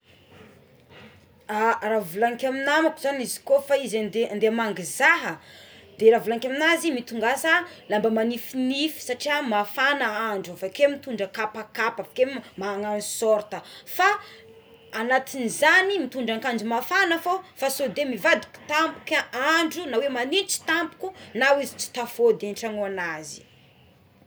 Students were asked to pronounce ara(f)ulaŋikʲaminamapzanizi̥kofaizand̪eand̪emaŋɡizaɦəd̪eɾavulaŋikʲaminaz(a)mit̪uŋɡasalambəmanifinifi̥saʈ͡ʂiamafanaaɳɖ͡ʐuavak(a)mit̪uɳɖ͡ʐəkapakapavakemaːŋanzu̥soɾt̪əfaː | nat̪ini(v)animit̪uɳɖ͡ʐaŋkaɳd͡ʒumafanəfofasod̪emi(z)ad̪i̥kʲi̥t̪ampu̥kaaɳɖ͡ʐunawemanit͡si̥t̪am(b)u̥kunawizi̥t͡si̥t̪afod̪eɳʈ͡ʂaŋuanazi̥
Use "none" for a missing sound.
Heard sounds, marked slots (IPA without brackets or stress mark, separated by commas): v, i, e, z, v, p